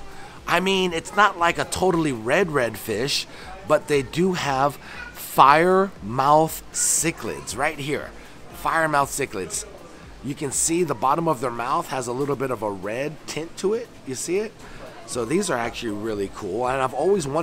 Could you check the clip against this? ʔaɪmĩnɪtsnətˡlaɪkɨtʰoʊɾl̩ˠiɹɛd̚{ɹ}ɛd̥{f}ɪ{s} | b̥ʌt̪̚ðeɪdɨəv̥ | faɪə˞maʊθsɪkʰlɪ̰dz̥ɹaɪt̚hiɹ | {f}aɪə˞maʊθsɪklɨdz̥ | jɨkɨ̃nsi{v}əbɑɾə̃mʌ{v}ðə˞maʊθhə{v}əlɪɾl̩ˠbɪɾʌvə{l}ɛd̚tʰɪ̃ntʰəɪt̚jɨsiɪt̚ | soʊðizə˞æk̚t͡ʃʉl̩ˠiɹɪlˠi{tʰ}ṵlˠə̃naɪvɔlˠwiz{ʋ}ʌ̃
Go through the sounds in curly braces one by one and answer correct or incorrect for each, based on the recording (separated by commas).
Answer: correct, correct, incorrect, correct, incorrect, correct, incorrect, incorrect, incorrect, incorrect